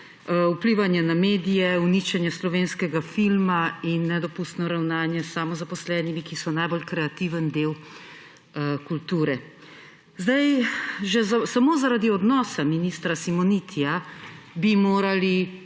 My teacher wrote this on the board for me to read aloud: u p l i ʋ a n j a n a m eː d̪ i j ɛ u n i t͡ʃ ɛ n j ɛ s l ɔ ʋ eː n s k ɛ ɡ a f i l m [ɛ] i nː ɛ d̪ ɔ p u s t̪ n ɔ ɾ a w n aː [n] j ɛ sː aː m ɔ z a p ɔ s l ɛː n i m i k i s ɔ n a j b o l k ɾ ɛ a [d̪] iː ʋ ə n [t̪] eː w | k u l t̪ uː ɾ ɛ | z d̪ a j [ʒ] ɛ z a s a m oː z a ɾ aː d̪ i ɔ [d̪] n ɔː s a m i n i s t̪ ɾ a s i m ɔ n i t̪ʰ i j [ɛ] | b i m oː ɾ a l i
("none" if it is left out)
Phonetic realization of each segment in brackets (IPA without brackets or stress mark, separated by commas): a, n, t̪, d̪, ʒ, d̪, a